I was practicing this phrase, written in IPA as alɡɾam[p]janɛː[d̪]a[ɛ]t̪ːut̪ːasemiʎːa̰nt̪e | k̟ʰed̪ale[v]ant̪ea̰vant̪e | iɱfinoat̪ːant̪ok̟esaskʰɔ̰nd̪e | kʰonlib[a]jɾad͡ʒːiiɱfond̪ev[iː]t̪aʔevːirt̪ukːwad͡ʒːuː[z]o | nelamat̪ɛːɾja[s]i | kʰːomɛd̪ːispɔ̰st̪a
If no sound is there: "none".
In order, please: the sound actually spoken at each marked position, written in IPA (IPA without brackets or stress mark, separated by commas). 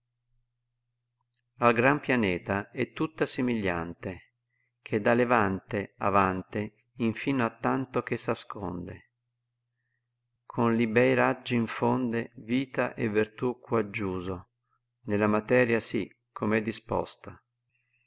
p, t̪, ɛ, v, ɛ, iː, z, s